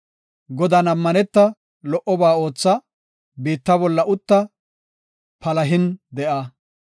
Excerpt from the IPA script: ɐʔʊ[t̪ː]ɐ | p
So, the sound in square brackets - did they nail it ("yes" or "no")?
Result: yes